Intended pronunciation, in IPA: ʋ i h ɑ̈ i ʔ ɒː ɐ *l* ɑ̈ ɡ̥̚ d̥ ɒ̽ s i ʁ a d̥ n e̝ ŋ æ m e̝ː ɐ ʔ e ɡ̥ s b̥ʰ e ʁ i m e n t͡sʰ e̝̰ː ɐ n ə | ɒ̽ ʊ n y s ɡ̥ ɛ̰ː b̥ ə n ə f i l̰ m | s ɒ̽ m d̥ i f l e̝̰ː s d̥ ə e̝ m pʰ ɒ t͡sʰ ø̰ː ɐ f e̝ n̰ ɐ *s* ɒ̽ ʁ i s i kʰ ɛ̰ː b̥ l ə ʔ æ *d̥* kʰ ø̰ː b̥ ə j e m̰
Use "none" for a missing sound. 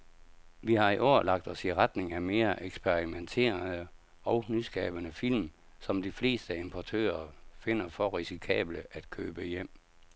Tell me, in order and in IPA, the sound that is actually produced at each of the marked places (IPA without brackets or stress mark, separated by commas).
l, f, d̥